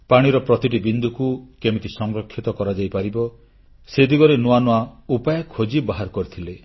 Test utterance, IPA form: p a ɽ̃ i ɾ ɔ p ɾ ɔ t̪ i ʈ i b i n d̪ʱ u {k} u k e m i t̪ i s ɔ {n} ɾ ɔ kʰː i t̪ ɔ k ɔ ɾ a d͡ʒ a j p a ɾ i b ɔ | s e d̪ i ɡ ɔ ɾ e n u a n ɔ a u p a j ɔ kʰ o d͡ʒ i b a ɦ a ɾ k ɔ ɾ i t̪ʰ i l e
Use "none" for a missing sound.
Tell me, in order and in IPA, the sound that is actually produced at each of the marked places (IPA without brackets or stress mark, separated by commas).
k, ŋ